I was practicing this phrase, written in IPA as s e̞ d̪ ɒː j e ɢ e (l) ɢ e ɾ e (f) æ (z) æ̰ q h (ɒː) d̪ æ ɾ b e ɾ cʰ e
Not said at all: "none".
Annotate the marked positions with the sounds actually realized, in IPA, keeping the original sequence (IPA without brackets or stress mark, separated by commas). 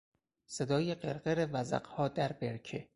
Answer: ɾ, v, z, ɒː